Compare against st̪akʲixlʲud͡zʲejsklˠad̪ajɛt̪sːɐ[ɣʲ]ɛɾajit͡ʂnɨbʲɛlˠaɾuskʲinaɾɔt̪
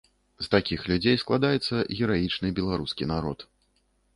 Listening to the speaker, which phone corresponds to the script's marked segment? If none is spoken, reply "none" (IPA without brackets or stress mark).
ɣʲ